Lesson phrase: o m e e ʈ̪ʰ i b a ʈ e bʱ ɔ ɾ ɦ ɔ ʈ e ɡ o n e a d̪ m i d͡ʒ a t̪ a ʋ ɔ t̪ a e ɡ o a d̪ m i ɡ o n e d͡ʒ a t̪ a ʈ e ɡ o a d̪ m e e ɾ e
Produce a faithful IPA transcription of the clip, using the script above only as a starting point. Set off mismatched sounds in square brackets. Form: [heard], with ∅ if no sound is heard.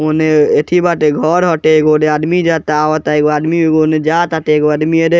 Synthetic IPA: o [n] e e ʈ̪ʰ i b a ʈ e [ɡʱ] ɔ ɾ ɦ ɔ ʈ e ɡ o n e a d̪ m i d͡ʒ a t̪ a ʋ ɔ t̪ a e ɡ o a d̪ m i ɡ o n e d͡ʒ a t̪ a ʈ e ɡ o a d̪ m [i] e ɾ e